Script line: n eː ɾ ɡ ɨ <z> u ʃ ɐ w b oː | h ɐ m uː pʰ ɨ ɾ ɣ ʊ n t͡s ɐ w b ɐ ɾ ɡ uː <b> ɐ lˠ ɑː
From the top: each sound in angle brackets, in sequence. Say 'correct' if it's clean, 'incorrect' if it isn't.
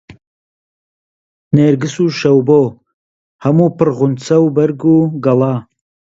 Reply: incorrect: s, incorrect: ɡ

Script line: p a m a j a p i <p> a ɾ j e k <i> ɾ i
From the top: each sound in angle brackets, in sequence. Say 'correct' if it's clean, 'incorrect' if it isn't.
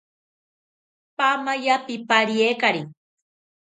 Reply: correct, incorrect: a

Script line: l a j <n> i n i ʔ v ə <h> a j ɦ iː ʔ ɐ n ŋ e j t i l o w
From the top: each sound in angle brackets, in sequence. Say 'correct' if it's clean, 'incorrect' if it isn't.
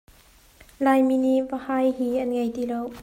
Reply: incorrect: m, correct

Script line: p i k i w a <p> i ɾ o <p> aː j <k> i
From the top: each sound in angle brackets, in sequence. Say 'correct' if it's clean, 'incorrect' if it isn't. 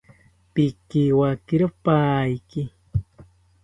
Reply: incorrect: k, correct, correct

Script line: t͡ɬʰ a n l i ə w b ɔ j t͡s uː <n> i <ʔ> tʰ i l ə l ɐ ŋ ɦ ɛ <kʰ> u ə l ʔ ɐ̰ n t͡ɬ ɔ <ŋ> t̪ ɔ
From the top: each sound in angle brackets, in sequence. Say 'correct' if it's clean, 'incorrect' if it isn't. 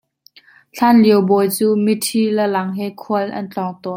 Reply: incorrect: m, incorrect: none, correct, correct

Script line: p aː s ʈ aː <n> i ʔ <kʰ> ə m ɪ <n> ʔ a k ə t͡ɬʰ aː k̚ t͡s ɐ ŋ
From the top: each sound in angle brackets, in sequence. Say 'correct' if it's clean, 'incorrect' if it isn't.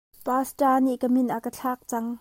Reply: correct, incorrect: k, correct

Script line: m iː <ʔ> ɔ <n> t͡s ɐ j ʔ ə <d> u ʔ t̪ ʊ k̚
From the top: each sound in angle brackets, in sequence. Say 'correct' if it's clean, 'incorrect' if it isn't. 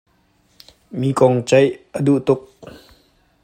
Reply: incorrect: k, incorrect: ŋ, correct

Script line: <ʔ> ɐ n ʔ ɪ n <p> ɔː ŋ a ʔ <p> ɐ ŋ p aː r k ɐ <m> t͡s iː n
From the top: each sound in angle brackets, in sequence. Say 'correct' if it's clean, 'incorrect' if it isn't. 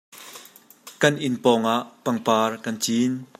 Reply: incorrect: k, correct, correct, incorrect: n

